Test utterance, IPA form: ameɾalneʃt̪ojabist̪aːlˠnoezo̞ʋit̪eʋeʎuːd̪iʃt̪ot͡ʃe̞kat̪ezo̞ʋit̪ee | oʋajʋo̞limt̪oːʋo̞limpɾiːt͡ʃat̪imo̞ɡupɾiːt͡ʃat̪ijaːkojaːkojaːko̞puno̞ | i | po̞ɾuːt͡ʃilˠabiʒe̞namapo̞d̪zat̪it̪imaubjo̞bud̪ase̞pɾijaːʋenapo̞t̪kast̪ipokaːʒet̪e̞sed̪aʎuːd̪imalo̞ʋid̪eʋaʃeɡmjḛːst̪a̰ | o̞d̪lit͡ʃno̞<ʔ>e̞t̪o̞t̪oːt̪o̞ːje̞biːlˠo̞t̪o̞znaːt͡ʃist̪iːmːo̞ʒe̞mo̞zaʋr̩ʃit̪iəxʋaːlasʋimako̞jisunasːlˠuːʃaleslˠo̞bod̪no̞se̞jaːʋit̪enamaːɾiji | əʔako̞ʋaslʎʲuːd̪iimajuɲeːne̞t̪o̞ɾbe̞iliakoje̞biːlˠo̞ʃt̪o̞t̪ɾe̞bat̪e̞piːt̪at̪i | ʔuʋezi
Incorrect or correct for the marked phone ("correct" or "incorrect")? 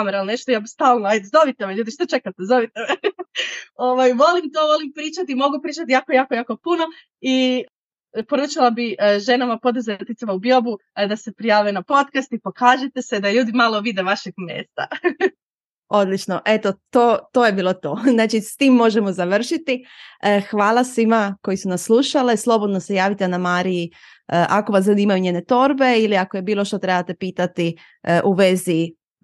correct